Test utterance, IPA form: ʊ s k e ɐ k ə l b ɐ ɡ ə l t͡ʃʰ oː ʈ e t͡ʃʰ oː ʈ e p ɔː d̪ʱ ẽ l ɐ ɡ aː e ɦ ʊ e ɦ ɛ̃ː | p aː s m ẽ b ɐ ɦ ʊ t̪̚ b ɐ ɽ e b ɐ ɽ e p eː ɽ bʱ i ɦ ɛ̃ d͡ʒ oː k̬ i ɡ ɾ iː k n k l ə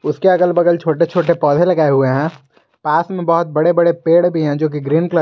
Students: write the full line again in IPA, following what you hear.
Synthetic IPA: ʊ s k e ɐ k ə l b ɐ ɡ ə l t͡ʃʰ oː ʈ e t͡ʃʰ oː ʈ e p ɔː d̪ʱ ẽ l ɐ ɡ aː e ɦ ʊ e ɦ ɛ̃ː | p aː s m ẽ b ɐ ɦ ʊ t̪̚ b ɐ ɽ e b ɐ ɽ e p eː ɽ bʱ i ɦ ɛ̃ d͡ʒ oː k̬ i ɡ ɾ iː n k l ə

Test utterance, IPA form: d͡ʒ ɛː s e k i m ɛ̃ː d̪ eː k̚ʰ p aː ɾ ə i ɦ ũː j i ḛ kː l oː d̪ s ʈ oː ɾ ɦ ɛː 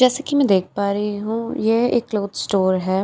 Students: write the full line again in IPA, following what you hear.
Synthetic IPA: d͡ʒ ɛː s e k i m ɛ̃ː d̪ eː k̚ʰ p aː ɾ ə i ɦ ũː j e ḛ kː l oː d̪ s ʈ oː ɾ ɦ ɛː

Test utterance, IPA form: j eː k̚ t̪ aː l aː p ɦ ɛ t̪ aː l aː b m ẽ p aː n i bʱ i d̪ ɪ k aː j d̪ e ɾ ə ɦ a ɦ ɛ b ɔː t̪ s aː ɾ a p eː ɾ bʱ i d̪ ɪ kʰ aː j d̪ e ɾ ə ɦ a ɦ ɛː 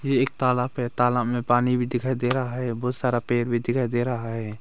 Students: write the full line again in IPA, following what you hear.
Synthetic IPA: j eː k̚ t̪ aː l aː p ɦ ɛ t̪ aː l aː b m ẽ p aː n i bʱ i d̪ ɪ kʰ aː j d̪ e ɾ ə ɦ a ɦ ɛ b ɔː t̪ s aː ɾ a p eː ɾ bʱ i d̪ ɪ kʰ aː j d̪ e ɾ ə ɦ a ɦ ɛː

